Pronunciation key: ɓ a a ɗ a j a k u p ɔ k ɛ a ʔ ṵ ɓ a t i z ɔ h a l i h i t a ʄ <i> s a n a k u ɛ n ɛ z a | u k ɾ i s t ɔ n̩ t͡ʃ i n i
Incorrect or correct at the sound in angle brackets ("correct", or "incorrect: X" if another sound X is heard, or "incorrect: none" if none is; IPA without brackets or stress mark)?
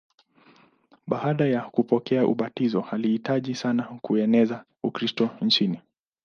correct